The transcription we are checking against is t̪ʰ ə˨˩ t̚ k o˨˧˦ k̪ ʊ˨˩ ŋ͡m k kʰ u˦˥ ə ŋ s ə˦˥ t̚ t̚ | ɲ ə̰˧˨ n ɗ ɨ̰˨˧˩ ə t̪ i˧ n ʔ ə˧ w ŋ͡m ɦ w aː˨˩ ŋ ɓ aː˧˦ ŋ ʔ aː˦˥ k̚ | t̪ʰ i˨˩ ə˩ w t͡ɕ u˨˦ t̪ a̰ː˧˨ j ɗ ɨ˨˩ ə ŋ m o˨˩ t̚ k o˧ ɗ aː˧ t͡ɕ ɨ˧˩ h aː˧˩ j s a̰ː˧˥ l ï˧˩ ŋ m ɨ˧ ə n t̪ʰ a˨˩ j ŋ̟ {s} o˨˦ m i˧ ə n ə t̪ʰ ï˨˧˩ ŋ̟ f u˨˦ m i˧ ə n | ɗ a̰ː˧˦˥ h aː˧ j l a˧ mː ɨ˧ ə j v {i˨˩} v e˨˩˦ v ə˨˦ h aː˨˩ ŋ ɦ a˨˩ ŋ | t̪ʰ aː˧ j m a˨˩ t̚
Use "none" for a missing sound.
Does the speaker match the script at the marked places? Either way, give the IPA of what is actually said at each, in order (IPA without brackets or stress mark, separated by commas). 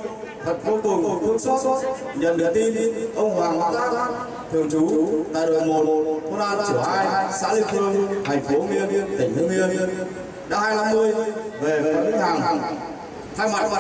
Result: f, e˨˩